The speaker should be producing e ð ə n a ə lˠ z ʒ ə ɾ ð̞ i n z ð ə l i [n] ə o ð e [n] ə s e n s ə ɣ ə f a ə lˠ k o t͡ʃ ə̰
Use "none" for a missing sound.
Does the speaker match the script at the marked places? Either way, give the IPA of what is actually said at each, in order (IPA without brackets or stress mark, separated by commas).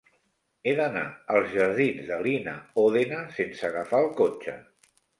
n, n